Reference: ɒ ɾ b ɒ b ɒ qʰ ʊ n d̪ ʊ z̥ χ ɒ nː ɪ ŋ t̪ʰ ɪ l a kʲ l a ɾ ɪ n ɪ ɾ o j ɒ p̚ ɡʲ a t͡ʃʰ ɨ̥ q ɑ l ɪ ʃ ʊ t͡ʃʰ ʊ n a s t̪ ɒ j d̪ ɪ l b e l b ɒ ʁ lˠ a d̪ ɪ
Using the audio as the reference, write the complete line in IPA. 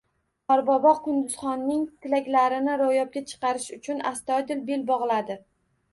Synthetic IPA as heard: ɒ ɾ b ɒ b ɒ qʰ ʊ n d̪ ʊ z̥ χ ɒ nː ɪ ŋ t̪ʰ ɪ l a kʲ l a ɾ ɪ n ɪ ɾ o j ɒ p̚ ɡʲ a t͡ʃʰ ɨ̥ q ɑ ɾ ɪ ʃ ʊ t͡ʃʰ ʊ n a s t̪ ɒ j d̪ ɪ l b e l b ɒ ʁ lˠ a d̪ ɪ